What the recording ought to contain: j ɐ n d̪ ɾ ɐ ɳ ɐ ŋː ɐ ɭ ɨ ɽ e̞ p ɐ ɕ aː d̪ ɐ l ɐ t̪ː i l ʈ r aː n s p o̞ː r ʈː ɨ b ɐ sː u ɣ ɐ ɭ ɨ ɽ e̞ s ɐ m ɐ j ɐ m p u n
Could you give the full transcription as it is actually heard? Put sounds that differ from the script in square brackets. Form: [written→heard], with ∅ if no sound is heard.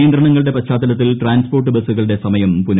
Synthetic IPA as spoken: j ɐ n d̪ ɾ ɐ ɳ ɐ ŋː ɐ ɭ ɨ ɽ e̞ p ɐ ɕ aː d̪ ɐ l ɐ t̪ː i l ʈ r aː n s p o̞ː r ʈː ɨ b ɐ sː u ɣ ɐ ɭ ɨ ɽ e̞ s ɐ m ɐ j ɐ m p u n